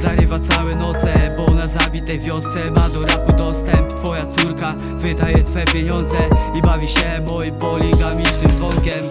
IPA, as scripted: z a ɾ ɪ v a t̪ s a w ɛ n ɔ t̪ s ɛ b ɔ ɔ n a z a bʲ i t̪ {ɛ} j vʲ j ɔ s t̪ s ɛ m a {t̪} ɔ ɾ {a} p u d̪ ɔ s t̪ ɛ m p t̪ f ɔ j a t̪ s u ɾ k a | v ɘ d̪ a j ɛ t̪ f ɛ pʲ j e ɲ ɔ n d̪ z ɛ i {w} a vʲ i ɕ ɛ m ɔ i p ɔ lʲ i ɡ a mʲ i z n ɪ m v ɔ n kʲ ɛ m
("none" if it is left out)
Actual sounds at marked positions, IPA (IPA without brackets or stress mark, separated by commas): ɛ, d̪, a, b